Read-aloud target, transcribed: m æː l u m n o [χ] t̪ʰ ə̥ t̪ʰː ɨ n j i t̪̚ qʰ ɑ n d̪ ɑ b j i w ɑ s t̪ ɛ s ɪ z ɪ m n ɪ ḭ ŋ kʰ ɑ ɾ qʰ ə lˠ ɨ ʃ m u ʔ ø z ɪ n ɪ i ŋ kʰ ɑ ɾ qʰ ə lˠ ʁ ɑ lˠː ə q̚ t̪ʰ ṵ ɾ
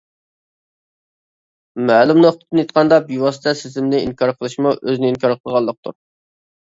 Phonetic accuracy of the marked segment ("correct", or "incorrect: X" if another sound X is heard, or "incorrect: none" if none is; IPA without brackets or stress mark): correct